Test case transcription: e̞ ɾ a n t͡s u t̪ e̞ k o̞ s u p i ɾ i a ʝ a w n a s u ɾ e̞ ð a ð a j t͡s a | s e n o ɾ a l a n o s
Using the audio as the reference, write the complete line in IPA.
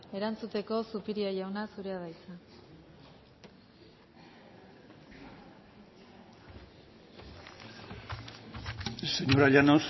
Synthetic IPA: e̞ ɾ a n t͡s u t̪ e̞ k o̞ s u p i ɾ i a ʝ a w n a s u ɾ e̞ a ð a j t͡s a | s e ɲ o ɾ a ʎ a n o s